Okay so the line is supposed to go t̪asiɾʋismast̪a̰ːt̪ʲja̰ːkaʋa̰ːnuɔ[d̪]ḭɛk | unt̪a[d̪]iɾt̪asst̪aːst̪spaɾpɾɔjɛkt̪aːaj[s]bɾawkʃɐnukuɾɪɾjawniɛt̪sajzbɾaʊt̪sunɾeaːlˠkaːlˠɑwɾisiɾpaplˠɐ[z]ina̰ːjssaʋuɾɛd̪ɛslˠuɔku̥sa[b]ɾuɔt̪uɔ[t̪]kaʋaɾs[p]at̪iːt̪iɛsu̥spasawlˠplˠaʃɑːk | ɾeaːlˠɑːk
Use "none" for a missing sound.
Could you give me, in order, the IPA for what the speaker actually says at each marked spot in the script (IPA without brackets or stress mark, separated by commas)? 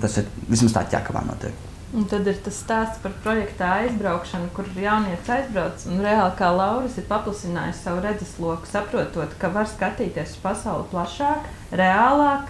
t̪, d̪, z, s, p, t̪, k